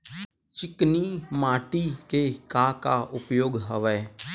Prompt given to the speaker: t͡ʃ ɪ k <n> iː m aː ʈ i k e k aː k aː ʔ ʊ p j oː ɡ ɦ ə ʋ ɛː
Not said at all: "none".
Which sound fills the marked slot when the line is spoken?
n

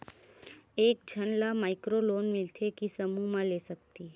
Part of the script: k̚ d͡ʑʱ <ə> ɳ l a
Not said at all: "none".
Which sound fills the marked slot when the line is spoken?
ə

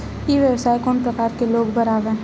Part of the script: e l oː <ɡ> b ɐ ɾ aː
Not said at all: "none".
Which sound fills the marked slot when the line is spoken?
ɡ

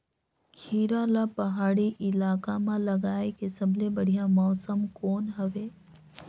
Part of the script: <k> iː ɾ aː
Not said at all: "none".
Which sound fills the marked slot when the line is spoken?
kʰ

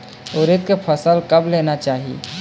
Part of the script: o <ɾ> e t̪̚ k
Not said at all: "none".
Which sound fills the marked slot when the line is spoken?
ɾ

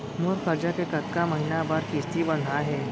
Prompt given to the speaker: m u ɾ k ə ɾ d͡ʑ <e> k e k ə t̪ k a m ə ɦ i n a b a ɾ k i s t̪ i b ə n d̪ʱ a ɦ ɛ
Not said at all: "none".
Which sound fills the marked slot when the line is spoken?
a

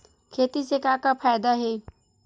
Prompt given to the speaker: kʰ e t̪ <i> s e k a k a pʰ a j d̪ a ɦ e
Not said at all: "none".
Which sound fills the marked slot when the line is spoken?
i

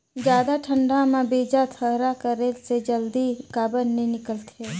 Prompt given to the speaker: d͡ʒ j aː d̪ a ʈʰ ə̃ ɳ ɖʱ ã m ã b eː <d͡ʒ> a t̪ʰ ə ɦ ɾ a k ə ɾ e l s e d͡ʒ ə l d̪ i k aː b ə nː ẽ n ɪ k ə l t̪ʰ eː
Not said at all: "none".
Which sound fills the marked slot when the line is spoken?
d͡ʒ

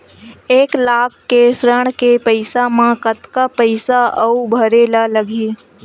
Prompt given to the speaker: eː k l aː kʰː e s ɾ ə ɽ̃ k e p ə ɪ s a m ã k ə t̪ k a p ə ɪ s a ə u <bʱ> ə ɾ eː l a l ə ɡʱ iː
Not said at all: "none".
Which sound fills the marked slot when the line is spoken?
bʱ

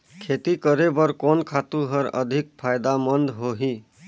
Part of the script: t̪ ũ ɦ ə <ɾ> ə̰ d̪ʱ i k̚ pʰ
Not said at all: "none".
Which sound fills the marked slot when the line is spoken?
ɾ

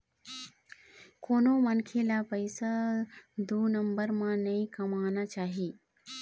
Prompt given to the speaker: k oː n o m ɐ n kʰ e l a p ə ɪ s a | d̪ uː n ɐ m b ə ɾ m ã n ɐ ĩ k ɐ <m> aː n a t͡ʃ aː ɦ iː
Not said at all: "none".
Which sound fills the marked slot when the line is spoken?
m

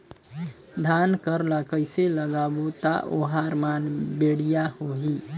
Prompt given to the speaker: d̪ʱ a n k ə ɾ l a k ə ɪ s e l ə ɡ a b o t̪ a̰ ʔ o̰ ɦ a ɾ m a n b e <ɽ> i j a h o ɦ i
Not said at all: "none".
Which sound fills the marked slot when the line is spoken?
ɽ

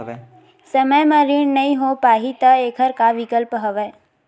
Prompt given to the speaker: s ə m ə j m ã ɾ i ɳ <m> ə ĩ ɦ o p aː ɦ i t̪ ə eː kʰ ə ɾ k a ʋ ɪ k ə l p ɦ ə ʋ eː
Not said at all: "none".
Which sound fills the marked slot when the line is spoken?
n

